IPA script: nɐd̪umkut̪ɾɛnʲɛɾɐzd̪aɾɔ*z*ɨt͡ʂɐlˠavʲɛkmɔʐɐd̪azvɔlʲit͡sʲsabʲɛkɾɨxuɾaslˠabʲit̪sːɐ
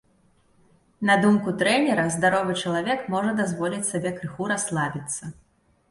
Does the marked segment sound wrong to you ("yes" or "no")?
yes